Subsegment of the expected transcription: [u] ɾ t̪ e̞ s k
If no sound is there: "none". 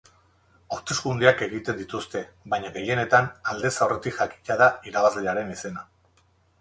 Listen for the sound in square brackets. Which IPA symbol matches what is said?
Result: o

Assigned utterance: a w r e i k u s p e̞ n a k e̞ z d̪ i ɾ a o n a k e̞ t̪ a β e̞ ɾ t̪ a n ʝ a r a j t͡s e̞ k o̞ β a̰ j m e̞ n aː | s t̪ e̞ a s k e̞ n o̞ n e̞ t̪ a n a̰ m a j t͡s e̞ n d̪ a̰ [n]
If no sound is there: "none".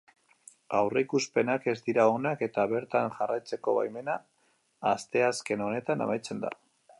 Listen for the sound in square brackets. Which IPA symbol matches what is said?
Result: none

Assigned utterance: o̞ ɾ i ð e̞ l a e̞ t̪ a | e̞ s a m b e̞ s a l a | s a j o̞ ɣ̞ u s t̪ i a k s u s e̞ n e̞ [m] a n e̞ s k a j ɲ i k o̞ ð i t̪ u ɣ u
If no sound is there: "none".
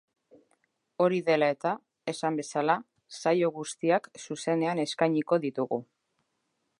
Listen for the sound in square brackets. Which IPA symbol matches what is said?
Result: none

